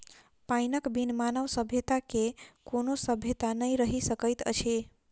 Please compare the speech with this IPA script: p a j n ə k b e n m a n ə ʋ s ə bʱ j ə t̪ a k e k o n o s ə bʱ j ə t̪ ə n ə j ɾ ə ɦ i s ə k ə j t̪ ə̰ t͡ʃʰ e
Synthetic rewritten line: p a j n ə k b i n m a n ə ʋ s ə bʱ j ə t̪ a k e k o n o s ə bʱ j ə t̪ a n ə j ɾ ə ɦ i s ə k ə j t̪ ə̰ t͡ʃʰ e